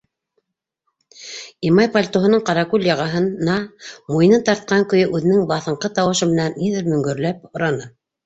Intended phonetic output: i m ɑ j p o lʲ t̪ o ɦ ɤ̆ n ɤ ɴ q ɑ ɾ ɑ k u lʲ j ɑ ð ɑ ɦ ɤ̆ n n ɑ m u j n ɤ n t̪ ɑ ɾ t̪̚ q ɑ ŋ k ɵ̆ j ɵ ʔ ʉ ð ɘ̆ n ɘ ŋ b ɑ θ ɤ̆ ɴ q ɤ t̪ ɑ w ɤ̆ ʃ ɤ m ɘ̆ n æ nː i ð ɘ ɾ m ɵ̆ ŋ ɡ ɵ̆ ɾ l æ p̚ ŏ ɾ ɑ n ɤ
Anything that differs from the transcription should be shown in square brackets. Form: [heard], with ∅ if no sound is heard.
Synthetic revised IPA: i m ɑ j p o lʲ t̪ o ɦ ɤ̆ n ɤ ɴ q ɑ ɾ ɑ k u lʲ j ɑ [ʁ] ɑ ɦ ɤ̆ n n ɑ m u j n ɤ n t̪ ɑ ɾ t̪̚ q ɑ ŋ k ɵ̆ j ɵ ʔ ʉ ð ɘ̆ n ɘ ŋ b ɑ θ ɤ̆ ɴ q ɤ t̪ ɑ w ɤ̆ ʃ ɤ m ɘ̆ n æ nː i ð ɘ ɾ m ɵ̆ ŋ ɡ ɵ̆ ɾ l æ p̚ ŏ ɾ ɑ n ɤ